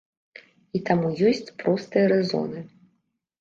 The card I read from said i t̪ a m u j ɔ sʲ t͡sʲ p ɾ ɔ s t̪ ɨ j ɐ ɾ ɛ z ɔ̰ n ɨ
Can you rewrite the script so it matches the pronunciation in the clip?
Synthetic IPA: i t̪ a m u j ɔ sʲ t͡sʲ p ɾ ɔ s t̪ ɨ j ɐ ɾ ɛ z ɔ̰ n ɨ

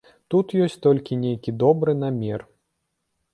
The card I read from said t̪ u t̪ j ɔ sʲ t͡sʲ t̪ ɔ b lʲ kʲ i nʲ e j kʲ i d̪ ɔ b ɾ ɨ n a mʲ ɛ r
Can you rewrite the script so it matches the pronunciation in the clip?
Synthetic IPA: t̪ u t̪ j ɔ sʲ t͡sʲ t̪ ɔ lʲ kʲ i nʲ e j kʲ i d̪ ɔ b ɾ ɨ n a mʲ ɛ r

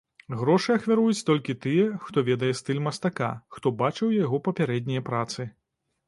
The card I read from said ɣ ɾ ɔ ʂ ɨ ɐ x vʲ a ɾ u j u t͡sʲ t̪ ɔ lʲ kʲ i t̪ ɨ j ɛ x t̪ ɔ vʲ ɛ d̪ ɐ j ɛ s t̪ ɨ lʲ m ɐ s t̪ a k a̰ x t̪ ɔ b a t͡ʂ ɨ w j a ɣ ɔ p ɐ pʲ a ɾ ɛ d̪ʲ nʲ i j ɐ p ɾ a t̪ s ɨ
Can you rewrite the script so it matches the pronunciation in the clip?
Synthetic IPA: ɣ ɾ ɔ ʂ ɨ ɐ x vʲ a ɾ u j u t͡sʲ t̪ ɔ lʲ kʲ i t̪ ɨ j ɛ x t̪ ɔ vʲ ɛ d̪ ɐ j ɛ s t̪ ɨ lʲ m ɐ s t̪ a k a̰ x t̪ ɔ b a t͡ʂ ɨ w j a ɣ ɔ p ɐ pʲ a ɾ ɛ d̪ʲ nʲ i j ɐ p ɾ a t̪ s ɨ

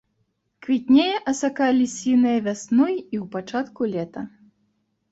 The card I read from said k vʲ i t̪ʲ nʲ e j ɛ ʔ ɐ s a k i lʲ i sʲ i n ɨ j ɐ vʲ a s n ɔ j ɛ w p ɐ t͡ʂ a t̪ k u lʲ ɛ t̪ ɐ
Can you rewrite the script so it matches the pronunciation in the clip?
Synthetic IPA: k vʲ i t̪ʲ nʲ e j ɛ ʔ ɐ s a k a lʲ i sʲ i n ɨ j ɐ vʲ a s n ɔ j i w p a t͡ʂ a t̪ k u lʲ ɛ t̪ ɐ

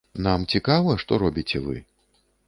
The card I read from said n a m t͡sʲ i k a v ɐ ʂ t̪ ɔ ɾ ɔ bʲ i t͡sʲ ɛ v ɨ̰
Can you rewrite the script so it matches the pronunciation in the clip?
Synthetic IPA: n a m t͡sʲ i k a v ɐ ʂ t̪ ɔ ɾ ɔ bʲ i t͡sʲ ɛ v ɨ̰

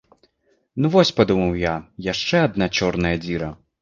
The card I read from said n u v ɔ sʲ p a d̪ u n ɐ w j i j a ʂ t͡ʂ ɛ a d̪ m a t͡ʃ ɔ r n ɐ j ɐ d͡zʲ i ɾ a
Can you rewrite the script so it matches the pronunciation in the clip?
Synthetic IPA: n u v ɔ sʲ p a d̪ u m ɐ w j a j a ʂ t͡ʂ ɛ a d̪ n a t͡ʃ ɔ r n ɐ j ɐ d͡zʲ i ɾ ɐ

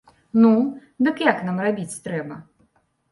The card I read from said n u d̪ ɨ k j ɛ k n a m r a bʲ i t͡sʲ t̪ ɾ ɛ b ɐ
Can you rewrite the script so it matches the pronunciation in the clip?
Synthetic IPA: n u d̪ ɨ k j a k n a m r a bʲ i t͡sʲ t̪ ɾ ɛ b ɐ

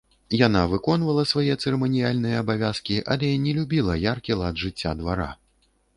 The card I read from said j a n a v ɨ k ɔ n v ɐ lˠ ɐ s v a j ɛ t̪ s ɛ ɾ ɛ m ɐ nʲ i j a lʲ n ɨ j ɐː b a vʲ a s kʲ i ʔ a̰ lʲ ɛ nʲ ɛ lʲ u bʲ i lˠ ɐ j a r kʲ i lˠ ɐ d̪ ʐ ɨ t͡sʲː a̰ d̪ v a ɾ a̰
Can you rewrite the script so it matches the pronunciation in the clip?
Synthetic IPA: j a n a v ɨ k ɔ n v ɐ lˠ ɐ s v a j ɛ t̪ s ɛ ɾ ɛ m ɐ nʲ i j a lʲ n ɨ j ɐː b a vʲ a s kʲ i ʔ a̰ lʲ ɛ nʲ ɛ lʲ u bʲ i lˠ ɐ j a r kʲ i lˠ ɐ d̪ ʐ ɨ t͡sʲː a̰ d̪ v a ɾ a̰

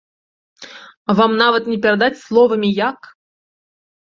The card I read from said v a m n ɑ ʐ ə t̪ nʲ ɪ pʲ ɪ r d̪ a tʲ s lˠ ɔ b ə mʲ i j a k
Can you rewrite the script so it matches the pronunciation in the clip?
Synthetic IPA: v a m n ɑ v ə t̪ nʲ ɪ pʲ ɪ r d̪ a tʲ s lˠ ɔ v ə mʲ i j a k

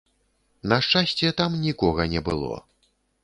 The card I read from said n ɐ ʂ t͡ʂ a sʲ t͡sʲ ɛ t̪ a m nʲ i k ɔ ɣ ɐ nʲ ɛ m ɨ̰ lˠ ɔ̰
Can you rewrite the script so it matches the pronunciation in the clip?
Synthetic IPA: n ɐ ʂ t͡ʂ a sʲ t͡sʲ ɛ t̪ a m nʲ i k ɔ ɣ ɐ nʲ ɛ b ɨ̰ lˠ ɔ̰

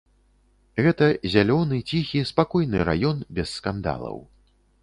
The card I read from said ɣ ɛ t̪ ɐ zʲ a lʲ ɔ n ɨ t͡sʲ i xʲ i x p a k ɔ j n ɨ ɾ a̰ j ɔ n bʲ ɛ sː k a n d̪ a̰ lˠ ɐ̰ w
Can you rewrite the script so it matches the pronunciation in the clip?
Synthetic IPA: ɣ ɛ t̪ ɐ zʲ a lʲ ɔ n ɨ t͡sʲ i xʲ i s p a k ɔ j n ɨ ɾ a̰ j ɔ n bʲ ɛ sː k a n d̪ a̰ lˠ ɐ̰ w

